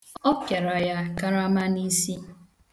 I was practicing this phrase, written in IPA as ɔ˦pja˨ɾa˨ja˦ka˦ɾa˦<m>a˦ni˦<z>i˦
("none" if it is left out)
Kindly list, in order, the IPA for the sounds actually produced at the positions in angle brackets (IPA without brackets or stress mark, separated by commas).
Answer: m, s